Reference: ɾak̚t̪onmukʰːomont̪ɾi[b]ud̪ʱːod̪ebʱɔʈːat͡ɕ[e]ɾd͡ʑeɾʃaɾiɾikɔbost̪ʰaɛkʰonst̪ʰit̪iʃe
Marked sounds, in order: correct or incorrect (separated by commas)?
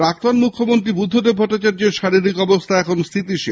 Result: correct, incorrect